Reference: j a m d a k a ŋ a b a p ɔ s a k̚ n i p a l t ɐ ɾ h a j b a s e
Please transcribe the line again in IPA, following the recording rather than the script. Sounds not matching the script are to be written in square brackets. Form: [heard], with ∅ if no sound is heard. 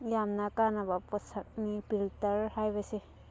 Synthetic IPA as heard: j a m [n] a k a [n] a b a p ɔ s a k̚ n i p [i] l t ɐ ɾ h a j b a s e